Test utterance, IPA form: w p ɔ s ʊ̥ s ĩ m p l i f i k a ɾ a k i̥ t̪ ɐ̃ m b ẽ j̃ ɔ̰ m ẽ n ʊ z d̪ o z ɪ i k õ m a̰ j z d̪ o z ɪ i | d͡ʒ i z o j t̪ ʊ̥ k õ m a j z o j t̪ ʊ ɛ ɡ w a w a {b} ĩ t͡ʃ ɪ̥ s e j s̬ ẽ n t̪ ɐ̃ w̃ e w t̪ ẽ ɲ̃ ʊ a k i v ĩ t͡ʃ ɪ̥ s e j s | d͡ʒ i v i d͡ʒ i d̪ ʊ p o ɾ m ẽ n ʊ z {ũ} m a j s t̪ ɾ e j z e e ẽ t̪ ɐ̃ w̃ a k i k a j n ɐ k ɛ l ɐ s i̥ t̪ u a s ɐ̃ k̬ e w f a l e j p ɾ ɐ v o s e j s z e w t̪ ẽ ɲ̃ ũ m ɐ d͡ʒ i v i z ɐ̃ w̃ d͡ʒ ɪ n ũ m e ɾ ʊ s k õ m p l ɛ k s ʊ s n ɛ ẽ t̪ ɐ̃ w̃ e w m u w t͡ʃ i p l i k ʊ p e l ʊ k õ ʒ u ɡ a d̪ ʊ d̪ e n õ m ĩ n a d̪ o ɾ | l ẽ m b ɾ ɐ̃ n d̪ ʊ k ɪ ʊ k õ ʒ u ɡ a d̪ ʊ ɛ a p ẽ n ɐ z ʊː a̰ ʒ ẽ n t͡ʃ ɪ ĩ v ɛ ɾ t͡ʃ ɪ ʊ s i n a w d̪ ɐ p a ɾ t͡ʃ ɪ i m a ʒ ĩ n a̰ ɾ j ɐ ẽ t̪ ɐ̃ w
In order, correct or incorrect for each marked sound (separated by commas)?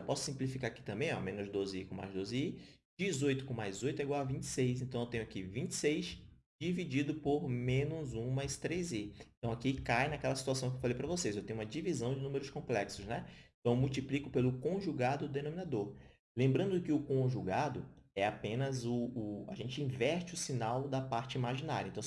incorrect, correct